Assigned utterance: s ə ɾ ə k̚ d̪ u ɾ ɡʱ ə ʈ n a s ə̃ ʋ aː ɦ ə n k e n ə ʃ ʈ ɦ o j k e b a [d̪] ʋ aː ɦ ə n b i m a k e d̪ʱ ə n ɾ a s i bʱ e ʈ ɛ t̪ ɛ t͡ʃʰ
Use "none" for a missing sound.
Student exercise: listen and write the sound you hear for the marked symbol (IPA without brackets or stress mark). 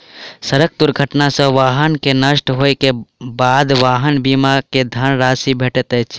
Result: d̪